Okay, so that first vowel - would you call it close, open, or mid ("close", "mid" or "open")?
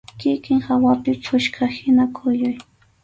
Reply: close